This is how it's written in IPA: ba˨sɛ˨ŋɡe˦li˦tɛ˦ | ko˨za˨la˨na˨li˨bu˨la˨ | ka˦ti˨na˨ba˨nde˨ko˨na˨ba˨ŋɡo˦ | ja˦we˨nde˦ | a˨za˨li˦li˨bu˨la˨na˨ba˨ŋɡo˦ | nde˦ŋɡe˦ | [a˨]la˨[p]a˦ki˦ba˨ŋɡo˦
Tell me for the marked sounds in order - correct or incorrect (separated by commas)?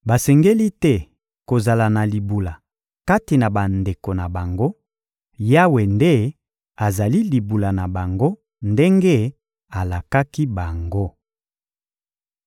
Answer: correct, incorrect